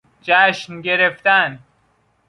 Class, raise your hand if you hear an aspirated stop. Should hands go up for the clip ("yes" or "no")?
no